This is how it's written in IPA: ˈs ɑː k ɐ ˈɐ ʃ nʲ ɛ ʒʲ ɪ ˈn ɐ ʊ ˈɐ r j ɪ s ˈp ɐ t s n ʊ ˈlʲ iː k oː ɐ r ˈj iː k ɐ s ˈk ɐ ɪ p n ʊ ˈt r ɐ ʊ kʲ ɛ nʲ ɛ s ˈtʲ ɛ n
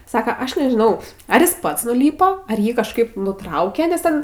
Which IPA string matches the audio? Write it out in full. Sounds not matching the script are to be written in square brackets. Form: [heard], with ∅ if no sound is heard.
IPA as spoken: ˈs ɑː k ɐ ˈɐ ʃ nʲ ɛ ʒʲ ɪ ˈn ɐ ʊ ˈɐ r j ɪ s ˈp ɐ t s n ʊ ˈlʲ iː [p] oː ɐ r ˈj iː k ɐ [ʃ] ˈk ɐ ɪ p n ʊ ˈt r ɐ ʊ kʲ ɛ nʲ ɛ s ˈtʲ ɛ n